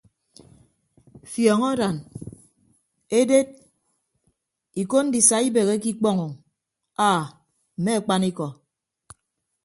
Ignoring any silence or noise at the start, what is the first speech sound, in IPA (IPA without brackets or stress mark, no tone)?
f